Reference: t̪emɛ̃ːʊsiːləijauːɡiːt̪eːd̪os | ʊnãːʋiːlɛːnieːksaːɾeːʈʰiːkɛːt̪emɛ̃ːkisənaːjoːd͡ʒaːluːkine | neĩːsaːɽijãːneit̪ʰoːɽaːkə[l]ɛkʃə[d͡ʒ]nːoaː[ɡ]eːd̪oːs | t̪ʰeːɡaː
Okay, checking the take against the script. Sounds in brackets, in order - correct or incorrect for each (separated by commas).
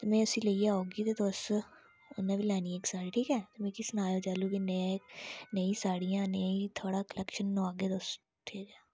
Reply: correct, incorrect, correct